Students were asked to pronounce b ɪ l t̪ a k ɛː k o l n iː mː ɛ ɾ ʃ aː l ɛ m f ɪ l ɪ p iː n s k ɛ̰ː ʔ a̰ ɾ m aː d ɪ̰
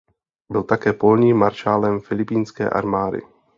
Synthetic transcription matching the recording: b ɪ l t̪ a k ɛː p o l ɲ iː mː a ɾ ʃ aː l ɛ m f ɪ l ɪ p iː n s k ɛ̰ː ʔ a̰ ɾ m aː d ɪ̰